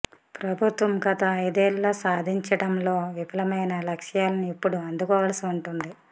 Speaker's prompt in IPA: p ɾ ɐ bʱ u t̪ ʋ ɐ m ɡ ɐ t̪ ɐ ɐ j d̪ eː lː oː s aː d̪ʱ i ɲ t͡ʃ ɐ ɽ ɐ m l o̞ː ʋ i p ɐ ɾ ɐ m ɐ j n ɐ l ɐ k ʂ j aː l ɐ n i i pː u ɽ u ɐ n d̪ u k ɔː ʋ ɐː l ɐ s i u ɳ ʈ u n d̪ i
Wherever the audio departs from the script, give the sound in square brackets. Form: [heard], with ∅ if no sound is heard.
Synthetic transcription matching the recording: p ɾ ɐ bʱ u t̪ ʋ ɐ m ɡ ɐ t̪ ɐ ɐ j d̪ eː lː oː s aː d̪ʱ i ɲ t͡ʃ ɐ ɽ ɐ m l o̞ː ʋ i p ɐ [l] ɐ m ɐ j n ɐ l ɐ k ʂ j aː l ɐ n i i pː u ɽ u ɐ n d̪ u k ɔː ʋ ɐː l ɐ s i u ɳ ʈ u n d̪ i